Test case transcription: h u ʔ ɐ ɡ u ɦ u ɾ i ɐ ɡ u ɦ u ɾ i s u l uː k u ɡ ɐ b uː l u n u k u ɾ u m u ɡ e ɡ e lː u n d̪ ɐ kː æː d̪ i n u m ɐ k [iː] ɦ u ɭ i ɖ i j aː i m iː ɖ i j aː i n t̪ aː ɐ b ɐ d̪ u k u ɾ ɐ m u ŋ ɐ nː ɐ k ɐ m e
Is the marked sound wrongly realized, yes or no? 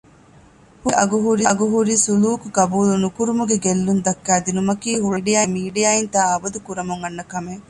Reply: no